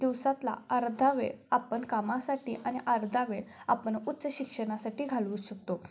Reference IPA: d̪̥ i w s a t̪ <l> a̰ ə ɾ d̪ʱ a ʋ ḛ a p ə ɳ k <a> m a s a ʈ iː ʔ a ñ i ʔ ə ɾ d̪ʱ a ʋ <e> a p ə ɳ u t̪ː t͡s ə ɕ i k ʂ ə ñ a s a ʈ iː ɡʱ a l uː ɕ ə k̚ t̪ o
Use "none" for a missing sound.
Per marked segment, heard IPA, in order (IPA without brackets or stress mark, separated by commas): l, a, e